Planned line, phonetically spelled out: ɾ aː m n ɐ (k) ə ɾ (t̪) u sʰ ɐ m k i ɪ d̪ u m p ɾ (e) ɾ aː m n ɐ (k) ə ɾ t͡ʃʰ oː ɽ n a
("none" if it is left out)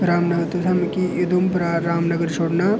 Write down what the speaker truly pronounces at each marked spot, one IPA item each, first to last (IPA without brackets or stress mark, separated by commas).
ɡ, t̪, a, ɡ